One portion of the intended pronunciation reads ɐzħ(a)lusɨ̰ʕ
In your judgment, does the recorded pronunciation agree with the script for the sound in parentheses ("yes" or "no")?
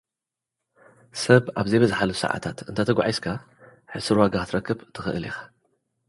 yes